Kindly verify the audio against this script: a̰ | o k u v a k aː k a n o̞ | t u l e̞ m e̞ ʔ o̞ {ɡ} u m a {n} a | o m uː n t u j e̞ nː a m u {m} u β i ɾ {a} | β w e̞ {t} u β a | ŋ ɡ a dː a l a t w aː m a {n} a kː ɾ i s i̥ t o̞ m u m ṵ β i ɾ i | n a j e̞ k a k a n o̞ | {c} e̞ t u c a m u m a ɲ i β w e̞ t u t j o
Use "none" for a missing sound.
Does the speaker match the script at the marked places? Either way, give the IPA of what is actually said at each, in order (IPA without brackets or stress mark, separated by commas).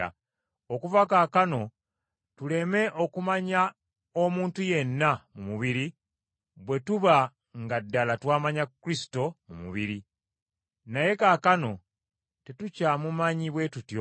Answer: k, ɲ, m, i, t, ɲ, t